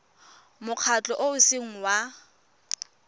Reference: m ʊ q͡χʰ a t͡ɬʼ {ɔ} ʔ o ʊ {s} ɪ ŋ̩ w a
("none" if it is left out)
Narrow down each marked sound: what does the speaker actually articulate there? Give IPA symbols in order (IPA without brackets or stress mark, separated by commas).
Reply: ɔ, s